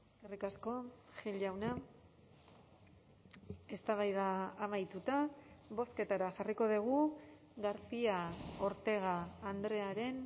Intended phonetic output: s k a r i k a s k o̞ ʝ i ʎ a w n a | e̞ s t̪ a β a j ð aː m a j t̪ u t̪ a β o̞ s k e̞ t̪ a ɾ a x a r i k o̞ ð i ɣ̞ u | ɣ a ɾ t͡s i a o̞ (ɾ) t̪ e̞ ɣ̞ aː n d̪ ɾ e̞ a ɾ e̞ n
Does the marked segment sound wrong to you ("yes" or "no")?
no